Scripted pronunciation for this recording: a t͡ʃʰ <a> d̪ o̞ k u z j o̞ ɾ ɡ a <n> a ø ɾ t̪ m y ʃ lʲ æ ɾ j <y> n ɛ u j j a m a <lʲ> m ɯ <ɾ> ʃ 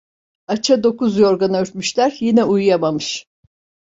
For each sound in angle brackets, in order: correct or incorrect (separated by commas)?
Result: correct, correct, incorrect, incorrect, incorrect